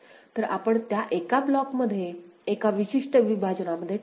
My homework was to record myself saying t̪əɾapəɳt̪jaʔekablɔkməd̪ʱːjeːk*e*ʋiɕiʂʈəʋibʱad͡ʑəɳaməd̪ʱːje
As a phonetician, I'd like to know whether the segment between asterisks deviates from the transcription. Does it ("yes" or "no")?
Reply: yes